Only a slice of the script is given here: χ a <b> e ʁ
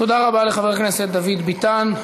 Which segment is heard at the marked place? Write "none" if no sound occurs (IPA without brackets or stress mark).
v